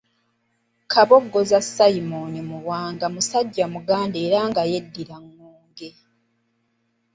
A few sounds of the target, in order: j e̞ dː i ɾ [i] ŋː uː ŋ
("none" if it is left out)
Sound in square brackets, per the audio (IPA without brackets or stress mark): a